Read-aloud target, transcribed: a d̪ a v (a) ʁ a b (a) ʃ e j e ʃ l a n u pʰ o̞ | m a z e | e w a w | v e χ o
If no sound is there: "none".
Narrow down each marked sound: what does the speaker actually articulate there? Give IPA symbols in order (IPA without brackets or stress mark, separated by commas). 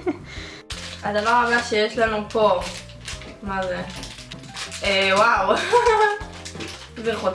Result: a, a